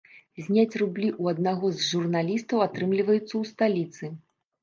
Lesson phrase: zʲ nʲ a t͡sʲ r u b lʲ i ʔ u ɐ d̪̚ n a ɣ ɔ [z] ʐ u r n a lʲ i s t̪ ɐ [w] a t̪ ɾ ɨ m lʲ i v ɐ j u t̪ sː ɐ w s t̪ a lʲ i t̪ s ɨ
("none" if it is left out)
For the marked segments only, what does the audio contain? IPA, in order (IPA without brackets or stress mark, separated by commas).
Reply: z, w